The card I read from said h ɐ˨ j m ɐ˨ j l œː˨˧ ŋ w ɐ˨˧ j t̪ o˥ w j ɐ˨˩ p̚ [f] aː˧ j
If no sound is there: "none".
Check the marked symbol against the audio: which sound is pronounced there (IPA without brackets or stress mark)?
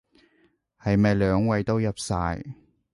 s